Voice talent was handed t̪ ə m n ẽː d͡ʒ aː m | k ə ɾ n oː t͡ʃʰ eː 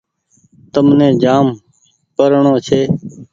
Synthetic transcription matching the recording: t̪ ə m n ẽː d͡ʒ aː m | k ə ɾ ɳ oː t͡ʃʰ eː